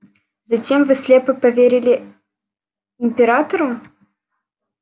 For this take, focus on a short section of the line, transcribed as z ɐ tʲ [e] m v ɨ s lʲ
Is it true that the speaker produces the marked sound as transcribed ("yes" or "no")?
yes